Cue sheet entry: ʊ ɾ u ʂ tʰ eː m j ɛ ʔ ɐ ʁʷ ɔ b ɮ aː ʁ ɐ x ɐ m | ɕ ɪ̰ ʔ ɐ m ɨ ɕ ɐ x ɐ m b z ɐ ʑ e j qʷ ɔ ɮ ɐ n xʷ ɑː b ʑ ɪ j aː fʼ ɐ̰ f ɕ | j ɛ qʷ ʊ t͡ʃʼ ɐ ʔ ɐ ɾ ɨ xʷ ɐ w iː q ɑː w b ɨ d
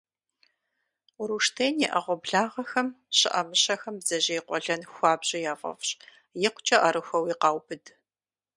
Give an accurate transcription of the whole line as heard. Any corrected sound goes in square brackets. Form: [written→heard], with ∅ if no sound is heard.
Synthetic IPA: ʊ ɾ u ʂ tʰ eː [m→n] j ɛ ʔ ɐ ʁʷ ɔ b ɮ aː ʁ ɐ x ɐ m | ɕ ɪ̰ ʔ ɐ m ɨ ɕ ɐ x ɐ m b z ɐ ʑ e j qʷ ɔ ɮ ɐ n xʷ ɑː b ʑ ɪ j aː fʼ ɐ̰ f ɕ | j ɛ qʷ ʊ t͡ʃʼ ɐ ʔ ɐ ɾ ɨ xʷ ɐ w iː q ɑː w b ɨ d